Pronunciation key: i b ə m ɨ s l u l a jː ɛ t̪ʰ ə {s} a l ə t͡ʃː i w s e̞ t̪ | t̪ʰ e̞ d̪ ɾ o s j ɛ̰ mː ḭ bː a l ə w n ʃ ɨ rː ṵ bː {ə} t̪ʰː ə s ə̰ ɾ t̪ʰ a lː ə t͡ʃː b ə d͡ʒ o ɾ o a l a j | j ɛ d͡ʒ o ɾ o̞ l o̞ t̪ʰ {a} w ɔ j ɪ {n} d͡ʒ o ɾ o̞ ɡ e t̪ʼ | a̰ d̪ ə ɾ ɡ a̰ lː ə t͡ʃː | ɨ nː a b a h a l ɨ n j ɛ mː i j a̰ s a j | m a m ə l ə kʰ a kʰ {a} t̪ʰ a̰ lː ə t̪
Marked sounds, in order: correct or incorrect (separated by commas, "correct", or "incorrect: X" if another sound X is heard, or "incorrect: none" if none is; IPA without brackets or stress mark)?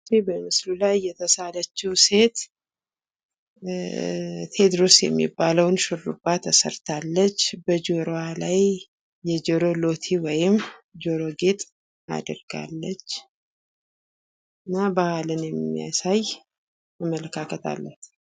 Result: correct, incorrect: a, incorrect: i, incorrect: m, incorrect: ə